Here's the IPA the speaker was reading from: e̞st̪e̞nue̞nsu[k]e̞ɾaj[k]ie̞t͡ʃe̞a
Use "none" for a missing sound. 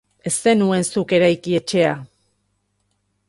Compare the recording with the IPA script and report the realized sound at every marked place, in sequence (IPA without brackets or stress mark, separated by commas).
k, k